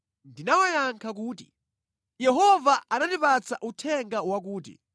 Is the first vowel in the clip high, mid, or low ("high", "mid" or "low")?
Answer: high